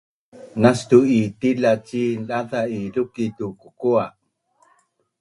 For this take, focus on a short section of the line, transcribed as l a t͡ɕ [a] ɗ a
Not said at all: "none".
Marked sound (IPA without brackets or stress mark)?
i